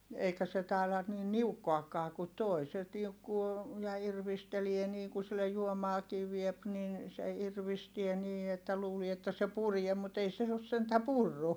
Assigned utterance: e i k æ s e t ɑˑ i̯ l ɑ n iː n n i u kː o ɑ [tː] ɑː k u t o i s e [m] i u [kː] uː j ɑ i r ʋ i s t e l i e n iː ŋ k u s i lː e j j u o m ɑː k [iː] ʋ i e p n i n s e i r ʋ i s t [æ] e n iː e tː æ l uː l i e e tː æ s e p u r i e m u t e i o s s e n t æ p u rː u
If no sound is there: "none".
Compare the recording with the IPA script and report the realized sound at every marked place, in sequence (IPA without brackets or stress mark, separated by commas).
kː, n, kː, iː, i